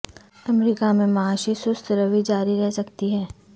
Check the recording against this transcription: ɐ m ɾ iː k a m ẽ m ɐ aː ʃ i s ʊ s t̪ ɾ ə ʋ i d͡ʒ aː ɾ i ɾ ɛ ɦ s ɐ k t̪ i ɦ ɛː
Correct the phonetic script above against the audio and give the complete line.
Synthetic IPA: ɐ m ɾ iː k a m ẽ m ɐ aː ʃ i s ʊ s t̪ ɾ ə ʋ i d͡ʒ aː ɾ i ɾ ɛ ɦ s ɐ k t̪ i ɦ ɛː

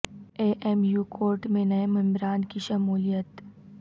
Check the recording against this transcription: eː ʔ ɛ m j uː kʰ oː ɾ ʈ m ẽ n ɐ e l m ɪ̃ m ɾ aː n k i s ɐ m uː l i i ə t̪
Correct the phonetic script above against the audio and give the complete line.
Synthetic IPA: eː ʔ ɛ m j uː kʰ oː ɾ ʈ m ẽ n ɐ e m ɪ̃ m ɾ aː n k i ʃ ɐ m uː l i j ə t̪

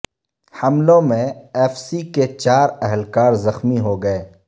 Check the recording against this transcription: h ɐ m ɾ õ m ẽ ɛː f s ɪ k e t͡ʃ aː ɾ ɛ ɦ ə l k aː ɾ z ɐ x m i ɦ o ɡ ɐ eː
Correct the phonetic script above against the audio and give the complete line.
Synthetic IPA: h ɐ m l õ m ẽ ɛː f s i k e t͡ʃ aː ɾ ɛ ɦ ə l k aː ɾ z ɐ x m i ɦ o ɡ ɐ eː

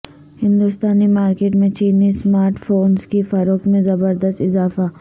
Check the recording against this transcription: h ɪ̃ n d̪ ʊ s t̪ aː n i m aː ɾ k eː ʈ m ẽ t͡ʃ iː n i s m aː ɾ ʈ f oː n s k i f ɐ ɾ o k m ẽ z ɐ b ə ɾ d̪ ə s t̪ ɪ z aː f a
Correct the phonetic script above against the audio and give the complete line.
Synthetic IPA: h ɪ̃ n d̪ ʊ s t̪ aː n i m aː ɾ k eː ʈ m ẽ t͡ʃ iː n i s m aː ɾ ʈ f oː n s k i f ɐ ɾ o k m ẽ z ɐ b ə ɾ d̪ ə s t̪ ɪ z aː f a

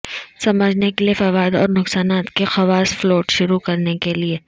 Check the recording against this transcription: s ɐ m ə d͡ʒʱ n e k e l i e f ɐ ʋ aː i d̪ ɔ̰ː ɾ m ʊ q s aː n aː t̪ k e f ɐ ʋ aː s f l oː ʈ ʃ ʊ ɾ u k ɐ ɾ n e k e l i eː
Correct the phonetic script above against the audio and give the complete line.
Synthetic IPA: s ɐ m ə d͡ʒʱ n e k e l i e f ɐ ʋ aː ɪ d̪ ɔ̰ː ɾ n ʊ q s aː n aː t̪ k e x ɐ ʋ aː s f l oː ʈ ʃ ʊ ɾ u k ɐ ɾ n e k e l i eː

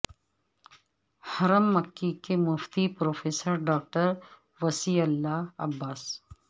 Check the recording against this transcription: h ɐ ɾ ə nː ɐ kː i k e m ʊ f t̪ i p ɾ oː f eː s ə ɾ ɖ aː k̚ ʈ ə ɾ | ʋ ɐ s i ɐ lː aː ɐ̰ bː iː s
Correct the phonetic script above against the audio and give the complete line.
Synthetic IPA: h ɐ ɾ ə mː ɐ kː i k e m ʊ f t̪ i p ɾ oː f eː s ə ɾ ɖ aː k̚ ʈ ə ɾ | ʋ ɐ s i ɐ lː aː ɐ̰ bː aː s

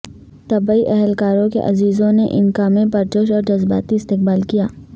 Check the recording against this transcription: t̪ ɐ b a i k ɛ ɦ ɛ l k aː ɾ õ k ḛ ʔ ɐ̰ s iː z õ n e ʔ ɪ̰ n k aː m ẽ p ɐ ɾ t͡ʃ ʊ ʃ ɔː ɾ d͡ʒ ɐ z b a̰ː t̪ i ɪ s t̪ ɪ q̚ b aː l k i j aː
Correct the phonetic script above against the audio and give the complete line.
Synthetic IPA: t̪ ɐ b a i ʔ ɛ ɦ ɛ l k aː ɾ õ k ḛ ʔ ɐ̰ z iː z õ n e ʔ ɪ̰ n k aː m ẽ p ɐ ɾ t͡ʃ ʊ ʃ ɔː ɾ d͡ʒ ɐ z b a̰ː t̪ i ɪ s t̪ ɪ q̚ b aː l k i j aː

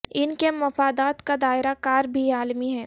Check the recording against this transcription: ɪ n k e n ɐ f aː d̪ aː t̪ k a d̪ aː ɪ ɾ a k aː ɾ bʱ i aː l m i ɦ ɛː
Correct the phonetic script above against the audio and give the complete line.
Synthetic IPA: ɪ n k e m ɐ f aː d̪ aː t̪ k a d̪ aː ɪ ɾ a k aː ɾ bʱ i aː l m i ɦ ɛː

